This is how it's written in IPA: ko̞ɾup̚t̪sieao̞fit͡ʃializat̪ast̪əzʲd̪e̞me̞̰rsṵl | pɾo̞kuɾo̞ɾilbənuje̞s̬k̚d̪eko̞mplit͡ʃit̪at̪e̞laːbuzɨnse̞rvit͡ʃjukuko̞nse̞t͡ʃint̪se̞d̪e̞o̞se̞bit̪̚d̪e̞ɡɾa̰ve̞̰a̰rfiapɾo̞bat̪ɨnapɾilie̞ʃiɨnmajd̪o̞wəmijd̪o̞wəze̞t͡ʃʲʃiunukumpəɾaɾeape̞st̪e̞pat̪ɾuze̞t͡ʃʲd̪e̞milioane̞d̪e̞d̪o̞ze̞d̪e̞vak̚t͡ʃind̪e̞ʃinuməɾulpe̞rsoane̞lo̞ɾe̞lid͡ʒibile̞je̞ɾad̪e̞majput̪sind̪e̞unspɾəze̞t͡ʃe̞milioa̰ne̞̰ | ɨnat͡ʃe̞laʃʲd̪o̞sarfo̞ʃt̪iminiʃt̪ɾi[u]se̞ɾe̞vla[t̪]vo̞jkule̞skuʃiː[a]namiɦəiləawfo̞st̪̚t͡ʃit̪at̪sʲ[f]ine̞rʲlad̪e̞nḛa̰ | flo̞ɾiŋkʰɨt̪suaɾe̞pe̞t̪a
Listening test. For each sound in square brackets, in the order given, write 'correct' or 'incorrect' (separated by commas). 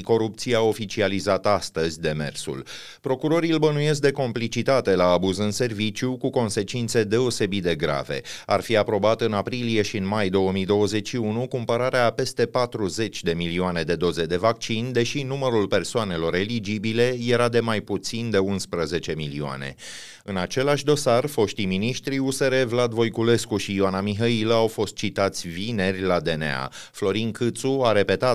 correct, incorrect, correct, incorrect